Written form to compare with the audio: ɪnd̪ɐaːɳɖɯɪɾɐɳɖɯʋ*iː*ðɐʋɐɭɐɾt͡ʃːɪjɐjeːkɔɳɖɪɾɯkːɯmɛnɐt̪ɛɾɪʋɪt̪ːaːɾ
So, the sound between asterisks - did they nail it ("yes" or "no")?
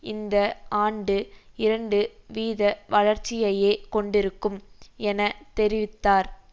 yes